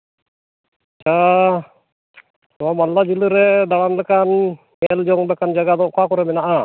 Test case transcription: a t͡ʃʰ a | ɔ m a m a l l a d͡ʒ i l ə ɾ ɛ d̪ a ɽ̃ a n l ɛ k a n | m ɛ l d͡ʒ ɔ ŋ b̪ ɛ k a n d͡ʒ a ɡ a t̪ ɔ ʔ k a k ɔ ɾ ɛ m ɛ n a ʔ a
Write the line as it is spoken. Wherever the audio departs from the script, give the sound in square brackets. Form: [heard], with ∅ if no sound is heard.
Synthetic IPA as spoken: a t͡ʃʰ a | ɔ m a m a l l a d͡ʒ i l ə ɾ ɛ d̪ a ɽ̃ a n l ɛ k a n | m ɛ l d͡ʒ ɔ ŋ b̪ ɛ k a n d͡ʒ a ɡ a [d̪] ɔ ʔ k a k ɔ ɾ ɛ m ɛ n a ʔ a